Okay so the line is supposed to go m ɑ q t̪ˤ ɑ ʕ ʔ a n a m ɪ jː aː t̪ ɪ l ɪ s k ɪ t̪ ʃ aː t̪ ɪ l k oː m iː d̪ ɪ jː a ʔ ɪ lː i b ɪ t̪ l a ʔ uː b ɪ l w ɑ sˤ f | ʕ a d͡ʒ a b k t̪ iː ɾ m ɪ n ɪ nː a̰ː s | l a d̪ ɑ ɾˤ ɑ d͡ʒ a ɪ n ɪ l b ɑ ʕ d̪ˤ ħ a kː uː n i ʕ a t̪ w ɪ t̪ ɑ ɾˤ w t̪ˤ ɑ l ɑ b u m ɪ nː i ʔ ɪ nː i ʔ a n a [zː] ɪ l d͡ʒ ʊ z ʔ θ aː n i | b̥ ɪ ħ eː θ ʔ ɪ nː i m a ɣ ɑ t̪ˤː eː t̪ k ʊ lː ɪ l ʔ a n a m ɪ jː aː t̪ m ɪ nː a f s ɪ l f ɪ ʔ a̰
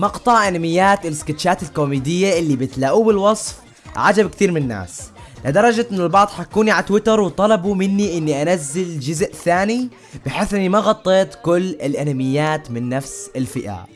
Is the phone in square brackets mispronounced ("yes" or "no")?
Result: no